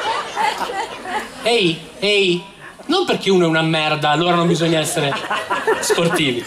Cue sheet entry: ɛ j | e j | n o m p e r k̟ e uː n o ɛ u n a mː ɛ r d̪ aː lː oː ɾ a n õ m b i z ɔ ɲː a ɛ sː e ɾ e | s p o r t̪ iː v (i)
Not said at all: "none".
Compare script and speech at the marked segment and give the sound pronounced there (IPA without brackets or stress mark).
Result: i